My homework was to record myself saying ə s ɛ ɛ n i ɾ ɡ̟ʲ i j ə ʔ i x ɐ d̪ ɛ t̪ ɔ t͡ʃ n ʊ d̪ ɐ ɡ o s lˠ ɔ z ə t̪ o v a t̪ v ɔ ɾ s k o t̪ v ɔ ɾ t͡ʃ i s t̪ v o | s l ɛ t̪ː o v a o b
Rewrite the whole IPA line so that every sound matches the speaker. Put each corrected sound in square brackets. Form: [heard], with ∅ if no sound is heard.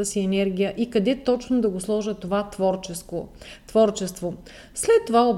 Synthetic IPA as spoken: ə s [i] ɛ n [ɛ] ɾ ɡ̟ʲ i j ə ʔ i [k] ɐ d̪ ɛ t̪ ɔ t͡ʃ n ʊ d̪ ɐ ɡ o s lˠ ɔ [ʒ] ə t̪ o v a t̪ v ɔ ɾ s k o t̪ v ɔ ɾ t͡ʃ [ɛ] s t̪ v o | s l ɛ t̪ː o v a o b